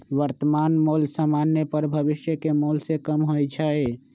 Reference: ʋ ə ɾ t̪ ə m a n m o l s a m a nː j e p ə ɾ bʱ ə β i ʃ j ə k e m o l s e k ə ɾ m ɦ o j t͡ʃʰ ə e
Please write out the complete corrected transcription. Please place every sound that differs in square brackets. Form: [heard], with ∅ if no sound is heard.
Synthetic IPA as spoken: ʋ ə ɾ t̪ ə m a n m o l s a m a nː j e p ə ɾ bʱ ə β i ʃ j ə k e m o l s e k ə [∅] m ɦ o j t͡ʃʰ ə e